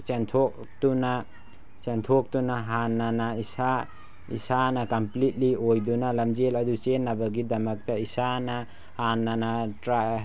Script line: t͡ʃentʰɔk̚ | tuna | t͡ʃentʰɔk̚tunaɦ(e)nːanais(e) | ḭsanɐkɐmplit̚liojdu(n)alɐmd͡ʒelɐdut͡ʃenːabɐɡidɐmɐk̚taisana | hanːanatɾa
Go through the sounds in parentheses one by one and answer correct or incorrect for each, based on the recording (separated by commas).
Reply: incorrect, incorrect, correct